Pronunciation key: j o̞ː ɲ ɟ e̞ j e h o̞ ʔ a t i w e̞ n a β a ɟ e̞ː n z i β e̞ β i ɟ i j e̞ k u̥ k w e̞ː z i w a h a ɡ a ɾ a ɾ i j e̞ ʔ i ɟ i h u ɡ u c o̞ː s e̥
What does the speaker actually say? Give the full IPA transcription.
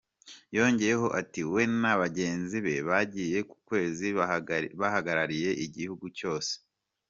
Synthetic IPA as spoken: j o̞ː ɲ ɟ e̞ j e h o̞ ʔ a t i w e̞ n a β a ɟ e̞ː n z i β e̞ β a ɟ i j e̞ k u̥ k w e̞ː z i β a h a ɡ a ɾ a ɾ i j e̞ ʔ i ɟ i h u ɡ u c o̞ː s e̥